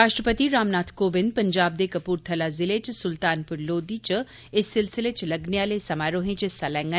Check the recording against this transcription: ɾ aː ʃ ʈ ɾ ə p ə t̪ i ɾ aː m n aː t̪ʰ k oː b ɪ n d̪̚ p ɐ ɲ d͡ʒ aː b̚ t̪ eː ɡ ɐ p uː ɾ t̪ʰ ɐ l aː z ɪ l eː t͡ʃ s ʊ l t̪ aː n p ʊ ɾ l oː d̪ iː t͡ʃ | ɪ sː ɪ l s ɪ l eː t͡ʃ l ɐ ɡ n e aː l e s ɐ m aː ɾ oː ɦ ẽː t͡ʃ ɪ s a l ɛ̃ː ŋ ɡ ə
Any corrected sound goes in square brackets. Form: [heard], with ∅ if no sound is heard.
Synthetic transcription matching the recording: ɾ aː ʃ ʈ ɾ ə p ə t̪ i ɾ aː m n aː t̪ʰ k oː b ɪ n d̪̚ p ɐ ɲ d͡ʒ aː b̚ [d̪] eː [k] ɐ p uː ɾ t̪ʰ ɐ l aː z ɪ l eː t͡ʃ s ʊ l t̪ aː n p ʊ ɾ l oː d̪ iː t͡ʃ | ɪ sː ɪ l s ɪ l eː t͡ʃ l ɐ ɡ n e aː l e s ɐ m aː ɾ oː ɦ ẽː t͡ʃ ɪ s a l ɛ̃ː ŋ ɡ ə

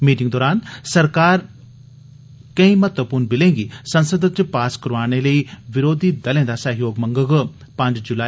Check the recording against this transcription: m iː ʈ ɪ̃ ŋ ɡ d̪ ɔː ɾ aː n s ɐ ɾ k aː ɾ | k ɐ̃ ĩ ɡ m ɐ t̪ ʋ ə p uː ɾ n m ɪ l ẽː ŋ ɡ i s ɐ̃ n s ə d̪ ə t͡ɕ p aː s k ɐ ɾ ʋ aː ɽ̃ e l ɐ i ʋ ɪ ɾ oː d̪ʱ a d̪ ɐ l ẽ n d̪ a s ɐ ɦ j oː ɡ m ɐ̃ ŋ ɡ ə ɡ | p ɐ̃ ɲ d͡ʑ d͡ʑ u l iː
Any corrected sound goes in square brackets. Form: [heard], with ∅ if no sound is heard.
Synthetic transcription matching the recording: m iː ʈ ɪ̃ ŋ ɡ d̪ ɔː ɾ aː n s ɐ ɾ k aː ɾ | k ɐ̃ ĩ [∅] m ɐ t̪ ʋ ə p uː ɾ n [b] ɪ l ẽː ŋ ɡ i s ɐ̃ n s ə d̪ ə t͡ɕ p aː s k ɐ ɾ ʋ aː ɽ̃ e l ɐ i ʋ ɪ ɾ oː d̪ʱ [i] d̪ ɐ l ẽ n d̪ a s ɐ ɦ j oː ɡ m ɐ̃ ŋ ɡ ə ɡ | p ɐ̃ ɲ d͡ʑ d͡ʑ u l [aː]

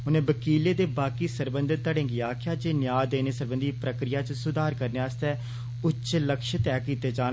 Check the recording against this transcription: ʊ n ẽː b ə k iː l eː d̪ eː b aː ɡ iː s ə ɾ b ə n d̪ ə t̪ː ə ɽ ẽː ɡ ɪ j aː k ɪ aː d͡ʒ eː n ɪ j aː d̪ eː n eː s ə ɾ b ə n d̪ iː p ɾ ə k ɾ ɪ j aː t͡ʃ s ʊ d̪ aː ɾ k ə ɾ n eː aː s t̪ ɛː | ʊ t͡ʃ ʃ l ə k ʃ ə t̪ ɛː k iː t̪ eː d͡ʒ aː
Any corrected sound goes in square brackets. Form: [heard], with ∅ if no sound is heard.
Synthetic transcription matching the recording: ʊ n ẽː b ə k iː l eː d̪ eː b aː [k] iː s ə ɾ b ə n d̪ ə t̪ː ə ɽ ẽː ɡ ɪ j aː k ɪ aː d͡ʒ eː n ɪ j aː d̪ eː n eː s ə ɾ b ə n d̪ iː p ɾ ə k ɾ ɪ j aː t͡ʃ s ʊ d̪ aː ɾ k ə ɾ n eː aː s t̪ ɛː | ʊ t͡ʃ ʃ l ə k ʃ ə t̪ ɛː k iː t̪ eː d͡ʒ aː

